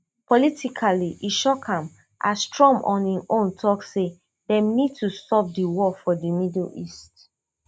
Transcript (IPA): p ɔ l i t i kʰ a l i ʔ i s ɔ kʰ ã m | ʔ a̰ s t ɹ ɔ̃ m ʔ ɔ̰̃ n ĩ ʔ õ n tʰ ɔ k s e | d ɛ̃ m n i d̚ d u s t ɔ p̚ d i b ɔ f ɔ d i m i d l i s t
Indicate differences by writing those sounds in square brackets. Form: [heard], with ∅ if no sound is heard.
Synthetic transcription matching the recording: p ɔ l i t i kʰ a l i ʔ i [ʃ] ɔ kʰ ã m | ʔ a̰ s t ɹ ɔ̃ m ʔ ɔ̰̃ n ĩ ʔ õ n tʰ ɔ k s e | d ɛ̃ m n i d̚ [t] u s t ɔ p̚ d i [w] ɔ f ɔ d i m i d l i s t